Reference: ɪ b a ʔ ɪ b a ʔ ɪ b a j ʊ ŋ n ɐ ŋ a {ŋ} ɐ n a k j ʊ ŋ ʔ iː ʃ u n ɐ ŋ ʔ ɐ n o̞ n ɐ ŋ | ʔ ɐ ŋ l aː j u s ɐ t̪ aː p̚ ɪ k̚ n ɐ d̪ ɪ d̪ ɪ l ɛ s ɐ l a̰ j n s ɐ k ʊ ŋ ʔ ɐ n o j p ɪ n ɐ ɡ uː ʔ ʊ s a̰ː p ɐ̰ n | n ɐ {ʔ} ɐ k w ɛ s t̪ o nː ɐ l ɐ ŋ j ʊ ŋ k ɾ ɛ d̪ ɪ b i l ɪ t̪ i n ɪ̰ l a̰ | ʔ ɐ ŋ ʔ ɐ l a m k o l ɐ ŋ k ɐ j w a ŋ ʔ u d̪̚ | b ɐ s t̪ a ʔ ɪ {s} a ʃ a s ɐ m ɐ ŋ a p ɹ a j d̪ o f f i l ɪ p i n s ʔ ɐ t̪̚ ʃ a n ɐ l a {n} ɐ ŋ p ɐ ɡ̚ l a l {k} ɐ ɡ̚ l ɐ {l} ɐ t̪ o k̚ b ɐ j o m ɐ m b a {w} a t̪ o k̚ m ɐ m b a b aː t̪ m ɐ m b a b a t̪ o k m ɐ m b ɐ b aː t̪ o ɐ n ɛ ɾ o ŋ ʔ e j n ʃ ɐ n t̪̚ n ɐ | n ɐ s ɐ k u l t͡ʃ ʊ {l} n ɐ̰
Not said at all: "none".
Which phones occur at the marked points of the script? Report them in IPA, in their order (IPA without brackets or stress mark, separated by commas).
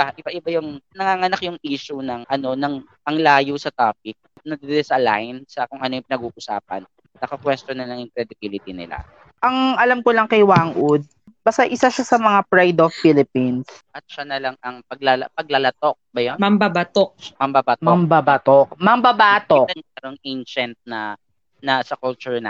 ŋ, k, s, ŋ, p, l, b, ɹ